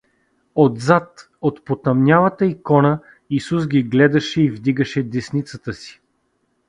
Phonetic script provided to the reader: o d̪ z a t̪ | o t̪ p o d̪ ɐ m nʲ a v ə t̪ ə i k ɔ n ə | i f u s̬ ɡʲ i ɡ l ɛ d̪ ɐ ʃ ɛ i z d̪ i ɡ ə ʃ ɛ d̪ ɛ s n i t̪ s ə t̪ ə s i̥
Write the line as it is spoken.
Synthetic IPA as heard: o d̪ z a t̪ | o t̪ p o t̪ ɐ m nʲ a v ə t̪ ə i k ɔ n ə | i s u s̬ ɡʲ i ɡ l ɛ d̪ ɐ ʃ ɛ i v d̪ i ɡ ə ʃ ɛ d̪ ɛ s n i t̪ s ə t̪ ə s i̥